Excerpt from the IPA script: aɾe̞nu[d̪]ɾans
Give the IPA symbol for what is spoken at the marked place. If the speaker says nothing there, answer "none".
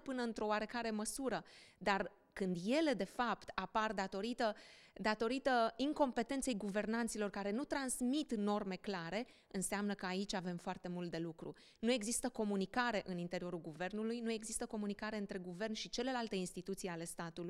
t̪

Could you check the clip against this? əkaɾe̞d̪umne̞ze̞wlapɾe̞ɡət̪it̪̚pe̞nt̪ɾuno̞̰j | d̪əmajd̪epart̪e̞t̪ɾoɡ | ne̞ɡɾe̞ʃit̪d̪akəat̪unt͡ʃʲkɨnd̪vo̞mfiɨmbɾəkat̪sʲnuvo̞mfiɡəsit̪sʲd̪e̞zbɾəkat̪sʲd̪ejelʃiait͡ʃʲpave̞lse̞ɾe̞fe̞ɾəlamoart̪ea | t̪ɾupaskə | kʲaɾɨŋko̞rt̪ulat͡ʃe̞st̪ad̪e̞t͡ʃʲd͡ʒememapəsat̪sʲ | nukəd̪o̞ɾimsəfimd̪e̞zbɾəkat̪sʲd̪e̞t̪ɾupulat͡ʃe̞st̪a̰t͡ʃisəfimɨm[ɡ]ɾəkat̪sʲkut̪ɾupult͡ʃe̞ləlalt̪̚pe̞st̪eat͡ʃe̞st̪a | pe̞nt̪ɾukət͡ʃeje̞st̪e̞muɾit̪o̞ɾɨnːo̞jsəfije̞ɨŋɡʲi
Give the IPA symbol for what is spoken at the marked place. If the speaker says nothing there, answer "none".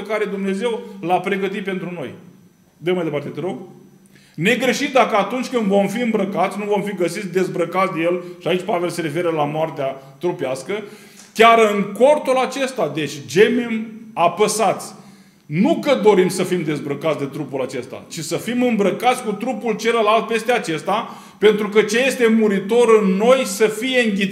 b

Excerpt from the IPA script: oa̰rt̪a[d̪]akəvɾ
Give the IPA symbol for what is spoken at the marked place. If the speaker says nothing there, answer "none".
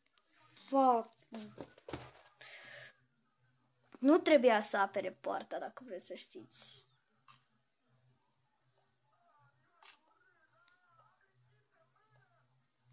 d̪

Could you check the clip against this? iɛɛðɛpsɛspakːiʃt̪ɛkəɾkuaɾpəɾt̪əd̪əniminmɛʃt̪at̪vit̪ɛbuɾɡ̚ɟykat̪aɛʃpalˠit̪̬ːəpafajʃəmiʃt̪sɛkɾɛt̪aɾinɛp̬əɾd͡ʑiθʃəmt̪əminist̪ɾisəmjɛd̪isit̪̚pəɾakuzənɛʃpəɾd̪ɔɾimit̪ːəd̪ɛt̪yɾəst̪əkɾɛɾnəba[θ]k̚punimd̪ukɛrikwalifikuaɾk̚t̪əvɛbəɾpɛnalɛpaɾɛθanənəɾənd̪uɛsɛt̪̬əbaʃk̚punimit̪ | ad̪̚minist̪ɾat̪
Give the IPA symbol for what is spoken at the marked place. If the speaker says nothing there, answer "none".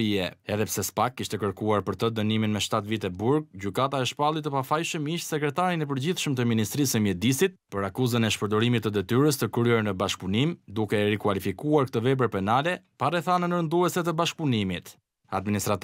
ʃ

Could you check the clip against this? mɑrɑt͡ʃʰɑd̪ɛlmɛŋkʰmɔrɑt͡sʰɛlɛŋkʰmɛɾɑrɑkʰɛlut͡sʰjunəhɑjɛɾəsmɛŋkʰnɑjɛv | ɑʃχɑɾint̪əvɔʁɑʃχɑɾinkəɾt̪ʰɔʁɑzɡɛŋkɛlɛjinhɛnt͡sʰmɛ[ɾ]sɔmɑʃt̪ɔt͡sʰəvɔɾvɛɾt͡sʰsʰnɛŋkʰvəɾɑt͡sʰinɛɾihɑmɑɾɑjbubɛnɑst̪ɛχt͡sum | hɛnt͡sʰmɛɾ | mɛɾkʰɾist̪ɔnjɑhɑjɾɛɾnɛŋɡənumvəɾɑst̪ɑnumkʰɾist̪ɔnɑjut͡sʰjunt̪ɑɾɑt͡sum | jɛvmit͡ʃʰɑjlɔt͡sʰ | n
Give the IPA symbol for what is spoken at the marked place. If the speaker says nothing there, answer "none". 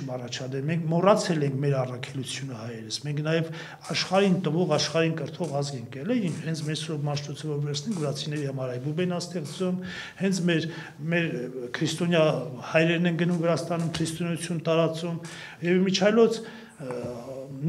ɾ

